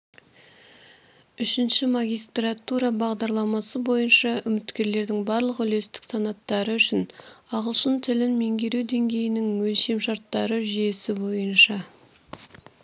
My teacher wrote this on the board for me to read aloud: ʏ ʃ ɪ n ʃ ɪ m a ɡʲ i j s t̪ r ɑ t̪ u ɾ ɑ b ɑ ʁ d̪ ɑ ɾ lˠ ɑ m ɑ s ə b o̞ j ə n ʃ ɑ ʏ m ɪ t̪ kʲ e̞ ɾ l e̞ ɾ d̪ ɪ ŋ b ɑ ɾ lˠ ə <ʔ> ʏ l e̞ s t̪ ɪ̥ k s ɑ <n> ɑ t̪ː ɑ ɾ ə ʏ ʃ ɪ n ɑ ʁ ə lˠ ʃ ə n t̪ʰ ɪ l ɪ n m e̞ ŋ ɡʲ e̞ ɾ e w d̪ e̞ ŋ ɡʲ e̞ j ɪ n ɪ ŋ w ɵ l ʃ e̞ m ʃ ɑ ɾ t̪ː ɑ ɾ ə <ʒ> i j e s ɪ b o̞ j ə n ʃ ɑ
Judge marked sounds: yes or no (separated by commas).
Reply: no, yes, yes